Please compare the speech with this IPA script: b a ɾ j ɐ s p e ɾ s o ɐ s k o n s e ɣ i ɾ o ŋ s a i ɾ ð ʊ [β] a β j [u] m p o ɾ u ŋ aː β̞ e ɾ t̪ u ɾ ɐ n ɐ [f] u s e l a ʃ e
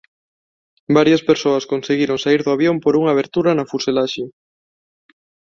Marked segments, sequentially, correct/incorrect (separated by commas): incorrect, incorrect, correct